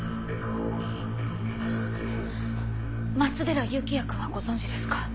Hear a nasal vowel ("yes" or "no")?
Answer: yes